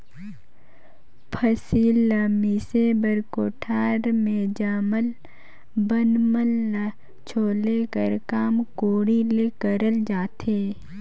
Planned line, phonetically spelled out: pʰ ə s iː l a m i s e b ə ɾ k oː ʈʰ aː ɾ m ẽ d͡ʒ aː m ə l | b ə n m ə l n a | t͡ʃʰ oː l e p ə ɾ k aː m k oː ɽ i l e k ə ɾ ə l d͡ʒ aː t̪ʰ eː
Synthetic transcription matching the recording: pʰ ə s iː l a m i s e b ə ɾ k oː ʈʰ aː ɾ m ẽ d͡ʒ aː m ə l | b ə n m ə l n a | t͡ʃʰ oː l e k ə ɾ k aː m k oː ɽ i l e k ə ɾ ə l d͡ʒ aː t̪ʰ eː